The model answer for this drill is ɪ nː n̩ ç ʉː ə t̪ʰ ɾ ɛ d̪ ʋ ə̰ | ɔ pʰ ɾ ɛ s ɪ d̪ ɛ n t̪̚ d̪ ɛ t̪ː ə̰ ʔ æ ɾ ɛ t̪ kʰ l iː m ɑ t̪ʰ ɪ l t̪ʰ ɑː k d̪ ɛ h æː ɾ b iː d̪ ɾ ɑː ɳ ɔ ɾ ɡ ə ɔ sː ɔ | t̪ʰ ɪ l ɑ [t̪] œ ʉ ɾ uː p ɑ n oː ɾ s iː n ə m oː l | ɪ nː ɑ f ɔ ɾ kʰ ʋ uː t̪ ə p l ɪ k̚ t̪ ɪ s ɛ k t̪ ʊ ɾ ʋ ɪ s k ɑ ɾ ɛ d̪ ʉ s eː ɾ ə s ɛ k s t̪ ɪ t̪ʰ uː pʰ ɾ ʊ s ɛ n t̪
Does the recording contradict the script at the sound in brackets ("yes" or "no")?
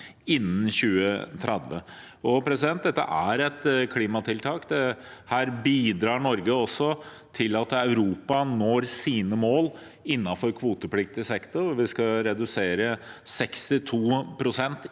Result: no